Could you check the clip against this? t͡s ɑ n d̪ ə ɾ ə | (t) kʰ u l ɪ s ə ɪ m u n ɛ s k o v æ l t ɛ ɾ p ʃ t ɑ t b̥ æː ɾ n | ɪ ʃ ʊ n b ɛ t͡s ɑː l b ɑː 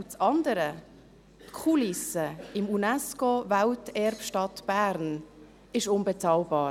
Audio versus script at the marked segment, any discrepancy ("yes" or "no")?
no